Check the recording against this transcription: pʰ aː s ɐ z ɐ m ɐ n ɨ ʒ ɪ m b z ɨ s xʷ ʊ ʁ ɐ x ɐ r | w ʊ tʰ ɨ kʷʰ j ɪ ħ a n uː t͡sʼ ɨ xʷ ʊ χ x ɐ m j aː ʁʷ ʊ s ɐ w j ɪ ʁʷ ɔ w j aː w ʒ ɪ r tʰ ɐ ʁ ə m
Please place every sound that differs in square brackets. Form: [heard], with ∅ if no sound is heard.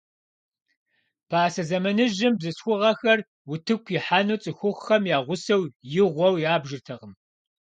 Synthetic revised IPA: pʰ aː s ɐ z ɐ m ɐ n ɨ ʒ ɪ m b z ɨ s xʷ ʊ ʁ ɐ x ɐ r | w ʊ tʰ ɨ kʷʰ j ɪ ħ a n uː t͡sʼ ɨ xʷ ʊ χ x ɐ m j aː ʁʷ ʊ s ɐ w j ɪ ʁʷ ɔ w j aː [b] ʒ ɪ r tʰ ɐ ʁ ə m